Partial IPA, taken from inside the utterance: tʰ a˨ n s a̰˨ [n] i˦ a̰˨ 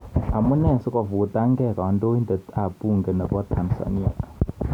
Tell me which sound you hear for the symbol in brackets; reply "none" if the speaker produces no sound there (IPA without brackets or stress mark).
n